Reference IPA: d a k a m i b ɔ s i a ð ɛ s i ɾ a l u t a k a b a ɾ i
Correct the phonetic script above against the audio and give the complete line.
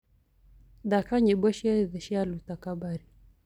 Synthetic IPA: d a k a ɲ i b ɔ ʃ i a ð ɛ ʃ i a l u t a k a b a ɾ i